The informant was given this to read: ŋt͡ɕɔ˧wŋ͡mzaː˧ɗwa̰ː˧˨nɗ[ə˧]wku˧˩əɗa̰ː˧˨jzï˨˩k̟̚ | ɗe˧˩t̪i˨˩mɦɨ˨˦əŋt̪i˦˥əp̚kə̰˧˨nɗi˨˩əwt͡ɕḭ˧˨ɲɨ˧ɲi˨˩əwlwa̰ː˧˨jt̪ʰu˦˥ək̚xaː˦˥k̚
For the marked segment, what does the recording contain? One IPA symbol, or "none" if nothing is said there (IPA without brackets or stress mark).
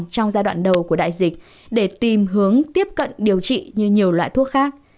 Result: ə˨˩